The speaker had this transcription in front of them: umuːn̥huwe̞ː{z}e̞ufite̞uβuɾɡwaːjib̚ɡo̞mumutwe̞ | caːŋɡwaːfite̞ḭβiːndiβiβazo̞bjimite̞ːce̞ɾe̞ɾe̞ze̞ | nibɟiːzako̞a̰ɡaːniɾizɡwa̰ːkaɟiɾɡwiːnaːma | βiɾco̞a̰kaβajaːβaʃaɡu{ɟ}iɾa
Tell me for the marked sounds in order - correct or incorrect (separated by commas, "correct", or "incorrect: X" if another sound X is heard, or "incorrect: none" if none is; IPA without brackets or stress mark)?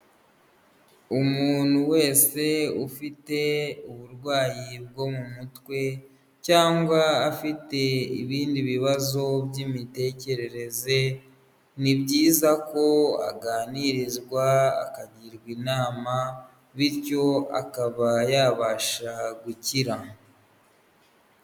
incorrect: s, incorrect: c